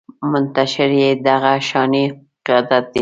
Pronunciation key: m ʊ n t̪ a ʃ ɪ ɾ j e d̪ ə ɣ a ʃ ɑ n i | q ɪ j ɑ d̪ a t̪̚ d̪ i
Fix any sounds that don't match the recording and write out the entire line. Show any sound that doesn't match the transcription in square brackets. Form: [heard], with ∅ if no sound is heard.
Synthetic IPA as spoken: m ʊ n t̪ a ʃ ɪ ɾ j e d̪ [a] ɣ a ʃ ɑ n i | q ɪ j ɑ d̪ a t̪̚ d̪ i